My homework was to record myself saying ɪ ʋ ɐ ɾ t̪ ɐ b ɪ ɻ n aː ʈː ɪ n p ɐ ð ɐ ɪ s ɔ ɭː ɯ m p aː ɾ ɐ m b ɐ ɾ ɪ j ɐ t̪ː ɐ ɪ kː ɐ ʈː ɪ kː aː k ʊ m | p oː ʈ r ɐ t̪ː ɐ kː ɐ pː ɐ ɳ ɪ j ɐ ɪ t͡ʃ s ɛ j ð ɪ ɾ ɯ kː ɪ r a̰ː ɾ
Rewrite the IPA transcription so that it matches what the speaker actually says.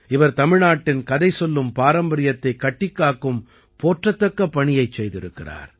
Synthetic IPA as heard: ɪ ʋ ɐ ɾ t̪ ɐ m ɪ ɻ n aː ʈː ɪ n k ɐ ð ɐ ɪ s ɔ lː ɯ m p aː ɾ ɐ m b ɐ ɾ ɪ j ɐ t̪ː ɐ ɪ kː ɐ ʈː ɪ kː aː k ɯ m | p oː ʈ r ɐ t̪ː ɐ kː ɐ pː ɐ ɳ ɪ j ɐ ɪ t͡ʃ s ɛ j ð ɪ ɾ ɯ kː ɪ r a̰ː ɾ